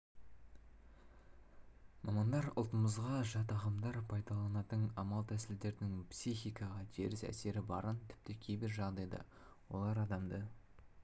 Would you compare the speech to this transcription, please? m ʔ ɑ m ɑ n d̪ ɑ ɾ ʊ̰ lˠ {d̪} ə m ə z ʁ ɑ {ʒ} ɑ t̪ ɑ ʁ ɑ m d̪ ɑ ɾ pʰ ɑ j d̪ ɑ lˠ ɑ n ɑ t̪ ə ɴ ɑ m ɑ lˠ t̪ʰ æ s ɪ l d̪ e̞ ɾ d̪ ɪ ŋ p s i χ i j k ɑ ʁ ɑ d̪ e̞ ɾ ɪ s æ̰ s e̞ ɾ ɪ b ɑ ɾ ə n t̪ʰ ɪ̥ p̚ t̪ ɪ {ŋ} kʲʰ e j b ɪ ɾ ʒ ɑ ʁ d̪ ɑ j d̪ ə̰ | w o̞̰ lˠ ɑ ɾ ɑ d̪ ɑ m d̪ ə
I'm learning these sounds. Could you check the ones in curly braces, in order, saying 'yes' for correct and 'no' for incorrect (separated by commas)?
no, yes, no